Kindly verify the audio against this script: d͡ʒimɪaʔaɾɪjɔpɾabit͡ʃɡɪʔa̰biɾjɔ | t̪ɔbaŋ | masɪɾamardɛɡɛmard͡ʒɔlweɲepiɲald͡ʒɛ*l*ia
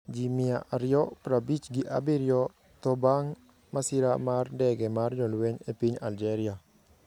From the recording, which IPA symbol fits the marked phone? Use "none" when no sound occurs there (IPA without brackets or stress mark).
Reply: ɾ